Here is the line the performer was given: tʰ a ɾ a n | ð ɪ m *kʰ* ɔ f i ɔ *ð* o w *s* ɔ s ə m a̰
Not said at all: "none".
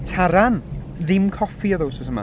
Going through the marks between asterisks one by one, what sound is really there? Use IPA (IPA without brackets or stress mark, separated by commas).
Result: kʰ, ð, s